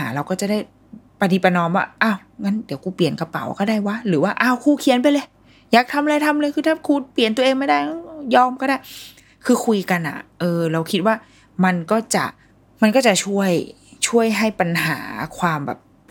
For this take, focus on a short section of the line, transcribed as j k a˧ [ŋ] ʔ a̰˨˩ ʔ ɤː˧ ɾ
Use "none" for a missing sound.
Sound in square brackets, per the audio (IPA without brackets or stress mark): n